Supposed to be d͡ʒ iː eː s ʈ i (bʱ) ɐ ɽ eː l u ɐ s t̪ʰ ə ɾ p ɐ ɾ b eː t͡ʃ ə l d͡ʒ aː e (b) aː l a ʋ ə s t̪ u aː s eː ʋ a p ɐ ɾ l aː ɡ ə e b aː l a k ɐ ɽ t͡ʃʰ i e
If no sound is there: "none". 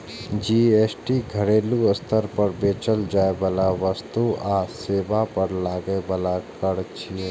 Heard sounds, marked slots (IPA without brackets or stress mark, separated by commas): ɡʱ, b